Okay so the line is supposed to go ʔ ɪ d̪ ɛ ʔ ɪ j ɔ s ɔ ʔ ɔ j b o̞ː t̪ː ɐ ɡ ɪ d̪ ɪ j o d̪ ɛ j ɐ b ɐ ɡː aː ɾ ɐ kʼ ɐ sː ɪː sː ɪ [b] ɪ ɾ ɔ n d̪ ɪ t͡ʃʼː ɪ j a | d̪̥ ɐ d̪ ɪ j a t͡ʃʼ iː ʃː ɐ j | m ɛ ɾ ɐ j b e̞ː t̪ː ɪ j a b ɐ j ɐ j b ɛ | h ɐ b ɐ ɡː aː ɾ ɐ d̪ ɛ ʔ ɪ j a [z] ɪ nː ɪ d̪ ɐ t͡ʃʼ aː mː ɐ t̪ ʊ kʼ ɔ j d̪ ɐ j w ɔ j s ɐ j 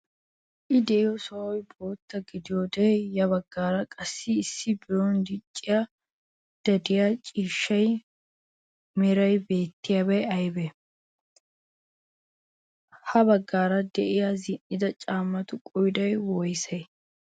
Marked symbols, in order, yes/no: yes, yes

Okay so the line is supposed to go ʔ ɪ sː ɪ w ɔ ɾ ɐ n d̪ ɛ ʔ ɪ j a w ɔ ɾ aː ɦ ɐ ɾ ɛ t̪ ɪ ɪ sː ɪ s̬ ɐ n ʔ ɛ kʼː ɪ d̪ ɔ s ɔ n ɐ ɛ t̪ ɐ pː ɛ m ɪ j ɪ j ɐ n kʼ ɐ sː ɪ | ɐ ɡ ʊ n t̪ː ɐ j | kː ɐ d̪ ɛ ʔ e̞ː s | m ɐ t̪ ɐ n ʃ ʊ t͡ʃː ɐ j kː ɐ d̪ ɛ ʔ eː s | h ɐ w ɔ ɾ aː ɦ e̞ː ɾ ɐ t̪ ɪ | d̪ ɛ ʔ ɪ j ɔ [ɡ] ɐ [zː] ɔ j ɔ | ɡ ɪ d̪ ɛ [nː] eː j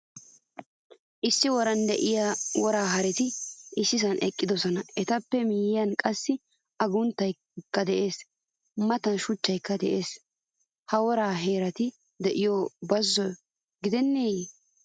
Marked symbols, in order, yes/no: no, yes, yes

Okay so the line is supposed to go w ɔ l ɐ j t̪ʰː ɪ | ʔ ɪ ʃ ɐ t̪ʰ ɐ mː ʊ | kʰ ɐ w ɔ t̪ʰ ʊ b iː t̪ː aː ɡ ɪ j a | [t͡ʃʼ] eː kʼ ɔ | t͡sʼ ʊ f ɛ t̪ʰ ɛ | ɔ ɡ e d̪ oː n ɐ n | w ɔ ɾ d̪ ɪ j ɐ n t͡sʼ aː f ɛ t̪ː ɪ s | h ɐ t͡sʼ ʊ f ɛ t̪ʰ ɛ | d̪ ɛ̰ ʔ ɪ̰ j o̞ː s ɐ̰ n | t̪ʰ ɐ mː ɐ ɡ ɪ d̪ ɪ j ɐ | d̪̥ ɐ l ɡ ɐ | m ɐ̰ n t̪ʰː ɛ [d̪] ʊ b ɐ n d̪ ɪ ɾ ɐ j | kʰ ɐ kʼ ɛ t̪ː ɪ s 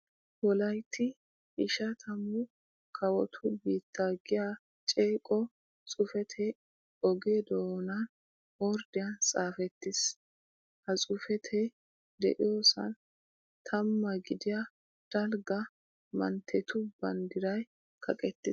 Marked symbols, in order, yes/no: yes, no

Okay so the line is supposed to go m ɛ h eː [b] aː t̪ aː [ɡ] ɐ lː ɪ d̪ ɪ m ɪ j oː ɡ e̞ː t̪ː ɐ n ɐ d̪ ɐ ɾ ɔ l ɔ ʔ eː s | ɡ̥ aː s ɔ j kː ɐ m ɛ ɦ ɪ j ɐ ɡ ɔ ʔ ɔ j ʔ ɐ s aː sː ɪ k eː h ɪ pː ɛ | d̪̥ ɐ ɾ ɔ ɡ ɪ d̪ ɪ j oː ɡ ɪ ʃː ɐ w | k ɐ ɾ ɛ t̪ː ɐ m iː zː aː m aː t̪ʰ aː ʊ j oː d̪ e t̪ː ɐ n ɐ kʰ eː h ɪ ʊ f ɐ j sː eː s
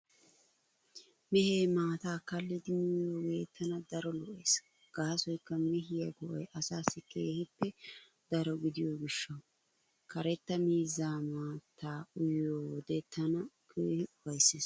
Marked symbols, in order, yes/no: no, no

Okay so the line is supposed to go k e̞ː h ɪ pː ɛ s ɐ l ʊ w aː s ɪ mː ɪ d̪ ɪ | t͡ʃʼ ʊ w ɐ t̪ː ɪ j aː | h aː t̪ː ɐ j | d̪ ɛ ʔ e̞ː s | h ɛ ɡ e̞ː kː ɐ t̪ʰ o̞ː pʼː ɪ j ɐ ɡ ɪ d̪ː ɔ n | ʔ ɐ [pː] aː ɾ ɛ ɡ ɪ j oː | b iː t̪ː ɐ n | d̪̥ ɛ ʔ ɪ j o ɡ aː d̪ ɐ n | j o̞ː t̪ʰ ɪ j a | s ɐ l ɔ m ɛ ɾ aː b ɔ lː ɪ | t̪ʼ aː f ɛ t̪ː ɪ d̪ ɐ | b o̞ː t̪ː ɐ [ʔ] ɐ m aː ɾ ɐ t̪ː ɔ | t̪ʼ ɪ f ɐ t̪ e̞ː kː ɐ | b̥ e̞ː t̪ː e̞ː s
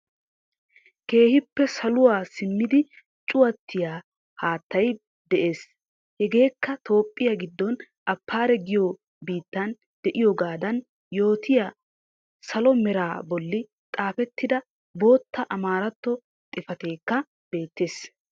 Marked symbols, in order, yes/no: yes, yes

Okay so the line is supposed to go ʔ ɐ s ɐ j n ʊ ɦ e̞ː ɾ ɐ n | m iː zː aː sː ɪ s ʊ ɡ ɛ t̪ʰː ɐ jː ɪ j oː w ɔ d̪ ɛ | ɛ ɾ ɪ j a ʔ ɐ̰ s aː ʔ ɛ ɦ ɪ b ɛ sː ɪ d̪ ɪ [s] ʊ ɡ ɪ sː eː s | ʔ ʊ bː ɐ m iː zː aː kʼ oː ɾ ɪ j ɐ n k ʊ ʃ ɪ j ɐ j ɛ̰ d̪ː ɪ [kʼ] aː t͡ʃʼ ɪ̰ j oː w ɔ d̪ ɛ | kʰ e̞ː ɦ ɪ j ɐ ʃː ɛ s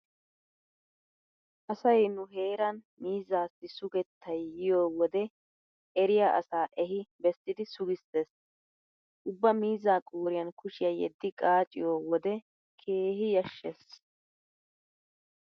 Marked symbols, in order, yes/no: yes, yes

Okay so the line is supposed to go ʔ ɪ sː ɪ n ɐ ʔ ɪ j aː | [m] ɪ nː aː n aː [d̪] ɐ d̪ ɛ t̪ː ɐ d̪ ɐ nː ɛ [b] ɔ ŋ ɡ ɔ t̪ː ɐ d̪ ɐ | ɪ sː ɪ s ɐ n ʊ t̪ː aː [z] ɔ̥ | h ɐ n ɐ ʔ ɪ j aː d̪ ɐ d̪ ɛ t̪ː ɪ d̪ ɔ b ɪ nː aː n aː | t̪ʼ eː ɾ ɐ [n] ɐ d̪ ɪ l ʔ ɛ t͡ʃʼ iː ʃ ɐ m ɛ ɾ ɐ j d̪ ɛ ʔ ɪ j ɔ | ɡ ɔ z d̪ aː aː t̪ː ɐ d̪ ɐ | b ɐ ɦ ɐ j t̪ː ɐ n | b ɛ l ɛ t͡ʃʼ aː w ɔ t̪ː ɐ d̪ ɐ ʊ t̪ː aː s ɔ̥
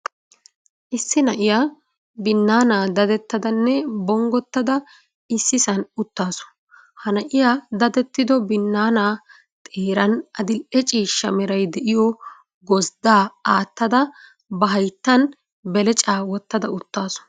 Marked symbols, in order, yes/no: no, yes, yes, no, yes

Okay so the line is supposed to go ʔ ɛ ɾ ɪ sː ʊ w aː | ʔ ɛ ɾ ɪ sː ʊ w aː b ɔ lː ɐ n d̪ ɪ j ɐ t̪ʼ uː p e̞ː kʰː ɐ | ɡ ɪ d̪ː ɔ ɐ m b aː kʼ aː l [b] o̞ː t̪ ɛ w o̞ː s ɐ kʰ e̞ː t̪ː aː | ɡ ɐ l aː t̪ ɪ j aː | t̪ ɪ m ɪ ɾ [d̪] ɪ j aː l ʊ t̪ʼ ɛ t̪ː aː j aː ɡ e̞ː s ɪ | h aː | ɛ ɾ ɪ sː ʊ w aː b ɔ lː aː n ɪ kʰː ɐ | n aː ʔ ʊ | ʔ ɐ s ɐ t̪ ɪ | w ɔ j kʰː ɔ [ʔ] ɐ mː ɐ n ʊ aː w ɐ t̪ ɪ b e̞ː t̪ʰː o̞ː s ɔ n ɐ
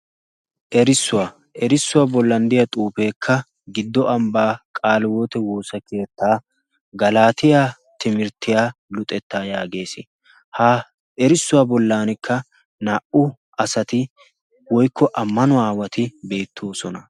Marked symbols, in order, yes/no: no, no, yes

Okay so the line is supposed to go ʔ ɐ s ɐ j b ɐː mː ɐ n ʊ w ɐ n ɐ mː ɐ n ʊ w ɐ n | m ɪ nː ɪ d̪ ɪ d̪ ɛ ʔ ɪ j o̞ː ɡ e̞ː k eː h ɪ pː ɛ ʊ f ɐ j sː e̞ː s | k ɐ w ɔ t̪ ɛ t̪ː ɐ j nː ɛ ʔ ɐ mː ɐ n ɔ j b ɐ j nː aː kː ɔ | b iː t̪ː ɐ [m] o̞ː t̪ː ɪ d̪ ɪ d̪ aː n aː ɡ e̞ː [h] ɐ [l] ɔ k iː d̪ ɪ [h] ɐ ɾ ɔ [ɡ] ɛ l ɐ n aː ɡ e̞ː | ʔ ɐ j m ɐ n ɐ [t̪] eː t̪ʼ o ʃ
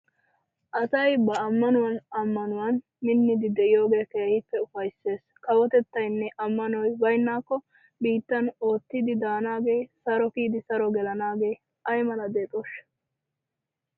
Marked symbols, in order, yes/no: no, no, no, no, yes, no

